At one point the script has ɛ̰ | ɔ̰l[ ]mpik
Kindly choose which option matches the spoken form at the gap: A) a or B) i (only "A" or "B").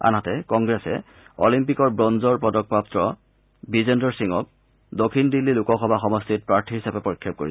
B